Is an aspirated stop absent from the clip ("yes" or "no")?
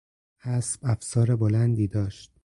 yes